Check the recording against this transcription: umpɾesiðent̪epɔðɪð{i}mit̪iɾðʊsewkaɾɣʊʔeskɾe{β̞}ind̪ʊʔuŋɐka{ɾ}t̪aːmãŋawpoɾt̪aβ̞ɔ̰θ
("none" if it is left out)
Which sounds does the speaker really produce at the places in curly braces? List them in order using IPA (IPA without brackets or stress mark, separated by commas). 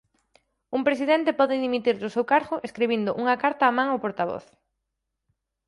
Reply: i, β̞, ɾ